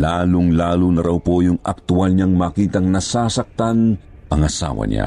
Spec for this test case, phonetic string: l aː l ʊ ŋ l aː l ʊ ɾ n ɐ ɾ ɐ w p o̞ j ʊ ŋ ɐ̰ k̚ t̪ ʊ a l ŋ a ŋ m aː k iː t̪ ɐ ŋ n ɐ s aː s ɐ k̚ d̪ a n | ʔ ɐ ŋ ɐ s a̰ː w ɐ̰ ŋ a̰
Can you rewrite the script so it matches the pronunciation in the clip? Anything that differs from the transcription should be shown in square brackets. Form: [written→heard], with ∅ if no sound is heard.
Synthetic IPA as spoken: l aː l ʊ ŋ l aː l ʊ [ɾ→∅] n ɐ ɾ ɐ w p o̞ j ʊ ŋ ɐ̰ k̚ t̪ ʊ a l [ŋ→ɲ] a ŋ m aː k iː t̪ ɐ ŋ n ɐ s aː s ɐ k̚ [d̪→t̪] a n | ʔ ɐ ŋ ɐ s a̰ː w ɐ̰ [ŋ→ɲ] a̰